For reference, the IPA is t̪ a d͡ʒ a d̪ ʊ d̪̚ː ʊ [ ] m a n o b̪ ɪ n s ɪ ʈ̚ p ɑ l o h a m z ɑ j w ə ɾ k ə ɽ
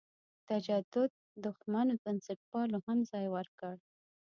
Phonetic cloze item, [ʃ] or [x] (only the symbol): x